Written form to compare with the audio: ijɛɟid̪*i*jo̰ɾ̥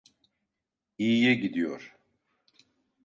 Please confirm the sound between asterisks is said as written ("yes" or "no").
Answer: yes